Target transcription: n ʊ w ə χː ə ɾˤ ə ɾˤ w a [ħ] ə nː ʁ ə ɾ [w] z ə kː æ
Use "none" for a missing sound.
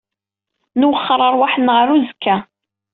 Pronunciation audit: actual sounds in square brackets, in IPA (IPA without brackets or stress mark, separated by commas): ħ, u